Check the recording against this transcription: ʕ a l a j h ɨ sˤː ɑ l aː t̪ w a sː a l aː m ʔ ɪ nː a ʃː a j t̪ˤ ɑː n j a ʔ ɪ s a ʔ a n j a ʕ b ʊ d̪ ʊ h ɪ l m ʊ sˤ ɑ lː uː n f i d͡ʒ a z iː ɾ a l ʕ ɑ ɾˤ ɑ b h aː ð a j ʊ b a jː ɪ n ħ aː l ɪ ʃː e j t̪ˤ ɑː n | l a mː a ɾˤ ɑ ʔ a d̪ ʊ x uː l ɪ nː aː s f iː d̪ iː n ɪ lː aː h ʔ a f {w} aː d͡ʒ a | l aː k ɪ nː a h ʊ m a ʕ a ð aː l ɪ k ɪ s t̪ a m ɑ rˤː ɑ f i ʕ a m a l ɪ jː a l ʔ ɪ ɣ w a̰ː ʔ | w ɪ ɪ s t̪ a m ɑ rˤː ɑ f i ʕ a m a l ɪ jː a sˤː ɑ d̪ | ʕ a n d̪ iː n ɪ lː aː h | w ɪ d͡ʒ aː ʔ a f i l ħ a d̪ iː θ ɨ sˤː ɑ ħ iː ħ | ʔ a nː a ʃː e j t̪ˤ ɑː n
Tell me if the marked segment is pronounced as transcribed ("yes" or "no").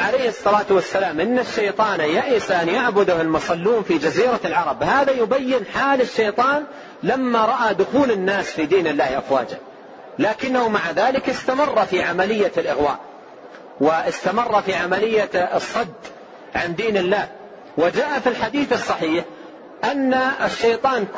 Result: yes